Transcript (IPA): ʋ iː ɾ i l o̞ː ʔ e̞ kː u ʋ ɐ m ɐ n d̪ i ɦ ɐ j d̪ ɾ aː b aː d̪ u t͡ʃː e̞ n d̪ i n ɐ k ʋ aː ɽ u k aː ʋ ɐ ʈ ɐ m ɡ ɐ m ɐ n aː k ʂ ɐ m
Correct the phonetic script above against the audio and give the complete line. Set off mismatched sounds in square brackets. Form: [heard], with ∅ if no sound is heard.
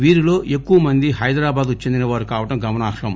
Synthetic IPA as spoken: ʋ iː ɾ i l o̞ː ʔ e̞ kː u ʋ ɐ m ɐ n d̪ i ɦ ɐ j d̪ ɾ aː b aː d̪ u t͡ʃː e̞ n d̪ i n ɐ [∅] ʋ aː [ɾ] u k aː ʋ ɐ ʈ ɐ m ɡ ɐ m ɐ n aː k ʂ ɐ m